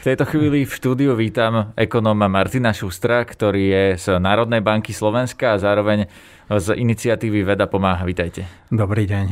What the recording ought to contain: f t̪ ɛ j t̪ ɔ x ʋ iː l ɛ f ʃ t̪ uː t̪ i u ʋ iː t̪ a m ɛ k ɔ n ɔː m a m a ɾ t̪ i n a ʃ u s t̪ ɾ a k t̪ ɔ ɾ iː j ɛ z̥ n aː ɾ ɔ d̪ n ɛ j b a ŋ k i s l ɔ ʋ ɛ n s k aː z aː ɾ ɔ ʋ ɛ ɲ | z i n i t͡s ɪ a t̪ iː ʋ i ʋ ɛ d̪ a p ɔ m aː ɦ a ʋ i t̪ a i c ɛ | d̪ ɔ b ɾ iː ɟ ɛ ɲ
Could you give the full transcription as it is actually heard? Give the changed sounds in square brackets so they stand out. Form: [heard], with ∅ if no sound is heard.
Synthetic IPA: f t̪ ɛ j t̪ ɔ x ʋ iː l [i] f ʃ t̪ uː [d̪] i u ʋ iː t̪ a m ɛ k ɔ n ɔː m a m a ɾ t̪ i n a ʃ u s t̪ ɾ a k t̪ ɔ ɾ iː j ɛ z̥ n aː ɾ ɔ d̪ n ɛ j b a ŋ k i s l ɔ ʋ ɛ n s k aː z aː ɾ ɔ ʋ ɛ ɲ | z i n i t͡s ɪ a t̪ iː ʋ i ʋ ɛ d̪ a p ɔ m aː ɦ a ʋ i t̪ a [j] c ɛ | d̪ ɔ b ɾ iː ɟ ɛ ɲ